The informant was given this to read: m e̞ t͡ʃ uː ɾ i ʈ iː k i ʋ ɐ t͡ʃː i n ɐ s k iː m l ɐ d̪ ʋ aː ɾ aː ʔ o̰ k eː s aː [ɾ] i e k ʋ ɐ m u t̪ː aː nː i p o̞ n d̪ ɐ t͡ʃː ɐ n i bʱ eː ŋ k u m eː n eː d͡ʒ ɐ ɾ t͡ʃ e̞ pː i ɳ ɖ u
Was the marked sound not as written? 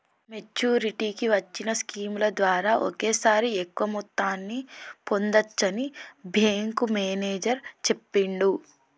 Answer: no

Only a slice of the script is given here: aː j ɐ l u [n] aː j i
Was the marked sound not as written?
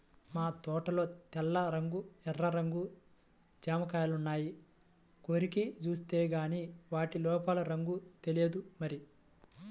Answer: yes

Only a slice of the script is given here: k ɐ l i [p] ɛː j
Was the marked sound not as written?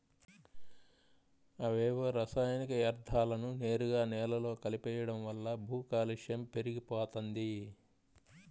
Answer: no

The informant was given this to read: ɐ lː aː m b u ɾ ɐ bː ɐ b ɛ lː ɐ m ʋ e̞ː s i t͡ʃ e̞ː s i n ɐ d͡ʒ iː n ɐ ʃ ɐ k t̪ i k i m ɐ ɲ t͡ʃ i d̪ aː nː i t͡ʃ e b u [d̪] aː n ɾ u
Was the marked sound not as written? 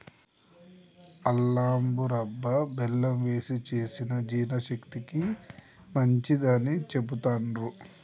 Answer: yes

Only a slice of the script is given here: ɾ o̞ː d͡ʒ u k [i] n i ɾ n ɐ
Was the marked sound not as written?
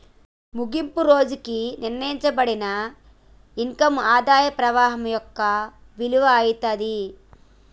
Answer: no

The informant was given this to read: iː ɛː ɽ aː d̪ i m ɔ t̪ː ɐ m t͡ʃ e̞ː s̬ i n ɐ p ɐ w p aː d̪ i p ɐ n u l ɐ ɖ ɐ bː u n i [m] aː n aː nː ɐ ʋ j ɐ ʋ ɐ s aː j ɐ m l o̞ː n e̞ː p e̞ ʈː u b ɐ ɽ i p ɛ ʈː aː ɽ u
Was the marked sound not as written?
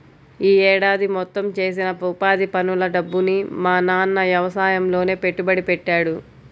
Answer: no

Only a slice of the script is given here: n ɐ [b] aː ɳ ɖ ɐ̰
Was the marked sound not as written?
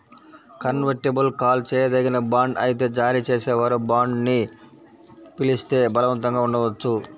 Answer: no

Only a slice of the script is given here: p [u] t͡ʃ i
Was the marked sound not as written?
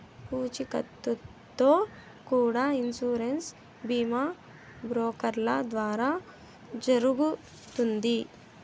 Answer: yes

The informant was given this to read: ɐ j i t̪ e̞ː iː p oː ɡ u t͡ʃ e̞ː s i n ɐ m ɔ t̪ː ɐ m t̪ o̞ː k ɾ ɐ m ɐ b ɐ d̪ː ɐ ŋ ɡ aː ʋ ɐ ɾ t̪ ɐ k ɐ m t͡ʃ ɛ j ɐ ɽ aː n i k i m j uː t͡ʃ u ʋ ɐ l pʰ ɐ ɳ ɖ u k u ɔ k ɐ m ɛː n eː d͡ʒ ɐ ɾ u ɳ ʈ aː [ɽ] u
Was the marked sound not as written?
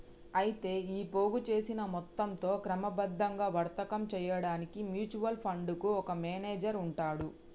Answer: no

